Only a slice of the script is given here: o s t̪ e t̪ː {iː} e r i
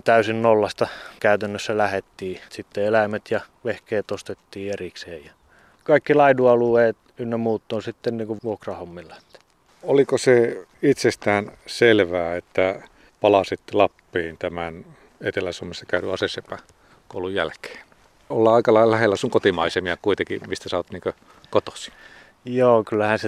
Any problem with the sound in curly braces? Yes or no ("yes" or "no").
no